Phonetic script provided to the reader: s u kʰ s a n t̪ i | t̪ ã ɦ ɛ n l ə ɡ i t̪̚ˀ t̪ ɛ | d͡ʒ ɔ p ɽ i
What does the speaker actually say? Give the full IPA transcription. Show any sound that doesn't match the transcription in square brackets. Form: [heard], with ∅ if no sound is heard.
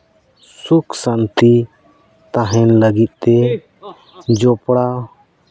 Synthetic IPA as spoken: s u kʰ s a n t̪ i | t̪ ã ɦ ɛ n l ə ɡ i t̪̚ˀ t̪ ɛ | d͡ʒ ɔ p ɽ [a]

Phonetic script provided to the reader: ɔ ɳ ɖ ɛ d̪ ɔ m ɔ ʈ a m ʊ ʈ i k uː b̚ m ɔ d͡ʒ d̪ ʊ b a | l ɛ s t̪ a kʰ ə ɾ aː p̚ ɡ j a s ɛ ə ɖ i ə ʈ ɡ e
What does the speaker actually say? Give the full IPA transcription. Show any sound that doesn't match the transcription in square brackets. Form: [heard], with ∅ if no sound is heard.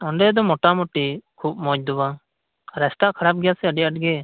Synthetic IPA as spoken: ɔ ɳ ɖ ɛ d̪ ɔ m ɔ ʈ a m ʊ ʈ i [kʰ] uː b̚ m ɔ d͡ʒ d̪ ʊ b a | [ɾ] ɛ s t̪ a kʰ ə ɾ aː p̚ ɡ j a s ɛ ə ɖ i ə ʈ ɡ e

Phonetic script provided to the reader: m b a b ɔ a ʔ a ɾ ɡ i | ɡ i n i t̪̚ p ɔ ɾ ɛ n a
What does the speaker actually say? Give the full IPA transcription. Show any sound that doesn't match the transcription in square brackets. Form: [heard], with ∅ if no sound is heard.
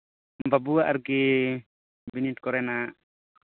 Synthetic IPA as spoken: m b a b [u] a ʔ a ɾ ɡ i | [b] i n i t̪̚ [k] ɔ ɾ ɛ n a

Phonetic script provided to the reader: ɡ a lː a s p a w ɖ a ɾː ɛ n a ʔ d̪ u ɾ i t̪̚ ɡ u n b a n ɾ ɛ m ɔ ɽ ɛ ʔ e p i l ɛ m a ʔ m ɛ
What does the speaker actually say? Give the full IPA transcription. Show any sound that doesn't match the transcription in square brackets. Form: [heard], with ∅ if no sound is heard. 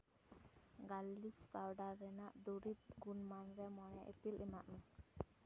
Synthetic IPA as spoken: ɡ a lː [i] s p a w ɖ a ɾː ɛ n a ʔ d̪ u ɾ i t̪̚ ɡ u n [m] a n ɾ ɛ m ɔ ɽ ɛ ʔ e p i l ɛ m a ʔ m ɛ

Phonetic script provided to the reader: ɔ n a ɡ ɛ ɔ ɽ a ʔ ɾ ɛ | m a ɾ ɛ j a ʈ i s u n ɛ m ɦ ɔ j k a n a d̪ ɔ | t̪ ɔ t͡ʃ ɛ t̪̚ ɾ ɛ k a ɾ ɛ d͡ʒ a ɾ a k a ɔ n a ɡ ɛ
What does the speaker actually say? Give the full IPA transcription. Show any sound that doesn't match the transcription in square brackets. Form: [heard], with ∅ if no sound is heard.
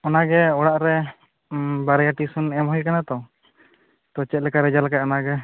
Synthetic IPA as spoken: ɔ n a ɡ ɛ ɔ ɽ a ʔ ɾ ɛ | [b] a ɾ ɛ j a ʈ i s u n ɛ m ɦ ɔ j k a n a [t̪] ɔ | t̪ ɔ t͡ʃ ɛ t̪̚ [l] ɛ k a ɾ ɛ d͡ʒ a [l] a k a ɔ n a ɡ ɛ

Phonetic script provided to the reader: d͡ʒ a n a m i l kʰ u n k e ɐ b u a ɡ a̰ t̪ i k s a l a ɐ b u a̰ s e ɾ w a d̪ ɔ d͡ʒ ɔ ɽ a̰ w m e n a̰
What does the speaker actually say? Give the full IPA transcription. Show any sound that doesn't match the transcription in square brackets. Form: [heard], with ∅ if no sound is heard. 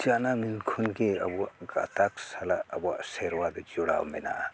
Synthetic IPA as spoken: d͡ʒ a n a m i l kʰ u n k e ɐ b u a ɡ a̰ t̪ [a] k s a l a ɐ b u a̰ s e ɾ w a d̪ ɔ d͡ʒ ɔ ɽ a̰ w m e n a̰

